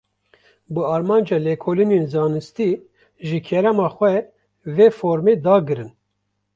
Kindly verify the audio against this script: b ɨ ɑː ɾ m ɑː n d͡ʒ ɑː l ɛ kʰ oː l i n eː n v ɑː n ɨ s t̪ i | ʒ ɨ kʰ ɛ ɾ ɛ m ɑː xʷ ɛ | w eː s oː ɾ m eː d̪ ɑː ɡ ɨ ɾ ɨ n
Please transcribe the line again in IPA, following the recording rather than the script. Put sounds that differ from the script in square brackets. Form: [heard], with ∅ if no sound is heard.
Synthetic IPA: b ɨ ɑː ɾ m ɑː n d͡ʒ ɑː l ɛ kʰ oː l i n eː n [z] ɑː n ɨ s t̪ i | ʒ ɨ kʰ ɛ ɾ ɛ m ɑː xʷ ɛ | [v] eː [f] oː ɾ m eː d̪ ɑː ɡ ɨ ɾ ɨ n